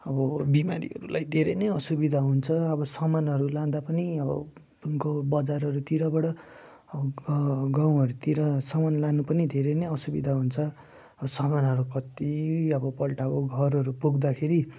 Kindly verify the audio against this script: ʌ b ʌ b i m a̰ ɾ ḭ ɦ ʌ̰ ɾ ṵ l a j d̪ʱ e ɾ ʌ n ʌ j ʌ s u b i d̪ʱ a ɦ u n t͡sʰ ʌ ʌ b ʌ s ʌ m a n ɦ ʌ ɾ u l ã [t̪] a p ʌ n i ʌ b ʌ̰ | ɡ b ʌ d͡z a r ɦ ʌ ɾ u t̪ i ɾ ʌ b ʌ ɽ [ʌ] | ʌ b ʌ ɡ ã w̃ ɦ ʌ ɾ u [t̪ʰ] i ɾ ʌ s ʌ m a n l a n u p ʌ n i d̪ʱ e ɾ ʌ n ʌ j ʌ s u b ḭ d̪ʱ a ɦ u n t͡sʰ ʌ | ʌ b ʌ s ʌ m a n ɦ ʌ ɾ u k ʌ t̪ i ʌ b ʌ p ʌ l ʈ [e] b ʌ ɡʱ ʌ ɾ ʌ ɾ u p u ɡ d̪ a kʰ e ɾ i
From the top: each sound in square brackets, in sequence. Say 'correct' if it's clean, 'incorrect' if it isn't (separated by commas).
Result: incorrect, correct, incorrect, incorrect